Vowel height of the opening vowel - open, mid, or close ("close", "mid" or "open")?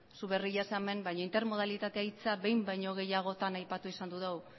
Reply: close